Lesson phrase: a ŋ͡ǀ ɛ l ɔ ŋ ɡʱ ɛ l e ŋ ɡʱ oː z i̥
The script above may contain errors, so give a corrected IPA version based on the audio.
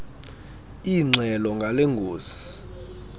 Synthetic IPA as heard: i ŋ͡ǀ ɛ l ɔ ŋ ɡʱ a l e ŋ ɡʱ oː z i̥